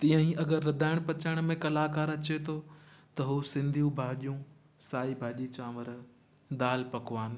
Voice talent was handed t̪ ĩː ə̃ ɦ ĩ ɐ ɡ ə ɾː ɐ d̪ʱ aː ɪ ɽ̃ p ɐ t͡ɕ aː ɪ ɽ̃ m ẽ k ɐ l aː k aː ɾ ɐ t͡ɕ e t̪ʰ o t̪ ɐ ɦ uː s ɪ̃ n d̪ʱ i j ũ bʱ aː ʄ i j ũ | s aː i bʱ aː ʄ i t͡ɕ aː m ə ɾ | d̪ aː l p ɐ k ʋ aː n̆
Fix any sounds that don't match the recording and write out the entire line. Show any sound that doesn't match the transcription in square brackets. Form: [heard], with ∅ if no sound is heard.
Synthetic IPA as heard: t̪ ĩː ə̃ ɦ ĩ ɐ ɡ ə ɾː ɐ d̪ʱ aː ɪ ɽ̃ p ɐ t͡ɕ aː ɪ ɽ̃ m ẽ k ɐ l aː k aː ɾ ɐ t͡ɕ e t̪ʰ o t̪ ɐ ɦ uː s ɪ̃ n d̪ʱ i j ũ bʱ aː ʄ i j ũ | s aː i bʱ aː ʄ i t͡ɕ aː m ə ɾ | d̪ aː l p ɐ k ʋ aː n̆